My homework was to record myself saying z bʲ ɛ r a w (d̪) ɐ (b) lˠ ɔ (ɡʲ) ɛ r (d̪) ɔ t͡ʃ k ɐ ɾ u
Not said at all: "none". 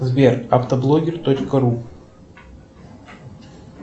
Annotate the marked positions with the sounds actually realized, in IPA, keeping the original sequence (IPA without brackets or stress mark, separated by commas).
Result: t̪, b, ɡʲ, t̪